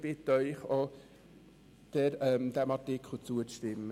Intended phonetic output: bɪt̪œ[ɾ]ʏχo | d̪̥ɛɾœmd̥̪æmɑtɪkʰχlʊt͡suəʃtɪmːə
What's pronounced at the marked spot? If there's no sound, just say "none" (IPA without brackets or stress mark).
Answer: none